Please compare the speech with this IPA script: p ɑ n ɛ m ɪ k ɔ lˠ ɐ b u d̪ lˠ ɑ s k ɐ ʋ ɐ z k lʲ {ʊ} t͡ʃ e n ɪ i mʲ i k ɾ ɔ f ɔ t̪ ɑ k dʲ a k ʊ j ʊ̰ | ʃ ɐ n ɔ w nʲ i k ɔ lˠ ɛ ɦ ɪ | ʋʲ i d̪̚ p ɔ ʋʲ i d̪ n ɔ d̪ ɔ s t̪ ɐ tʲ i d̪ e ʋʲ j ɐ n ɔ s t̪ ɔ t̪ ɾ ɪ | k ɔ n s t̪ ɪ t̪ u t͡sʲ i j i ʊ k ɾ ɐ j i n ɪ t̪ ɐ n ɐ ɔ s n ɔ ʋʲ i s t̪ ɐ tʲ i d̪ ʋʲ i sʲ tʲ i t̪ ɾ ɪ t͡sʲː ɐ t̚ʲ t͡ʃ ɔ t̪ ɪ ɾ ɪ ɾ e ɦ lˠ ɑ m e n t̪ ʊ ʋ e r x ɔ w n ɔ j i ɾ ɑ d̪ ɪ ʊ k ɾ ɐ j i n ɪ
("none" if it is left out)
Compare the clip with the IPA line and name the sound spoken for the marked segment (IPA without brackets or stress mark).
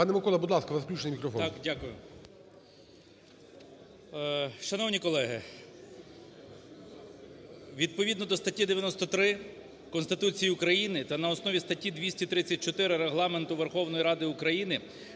u